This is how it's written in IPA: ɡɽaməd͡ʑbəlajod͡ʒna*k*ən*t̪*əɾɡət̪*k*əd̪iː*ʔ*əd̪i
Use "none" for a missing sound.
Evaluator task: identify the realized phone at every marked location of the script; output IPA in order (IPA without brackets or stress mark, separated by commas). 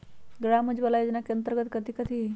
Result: k, t̪, k, k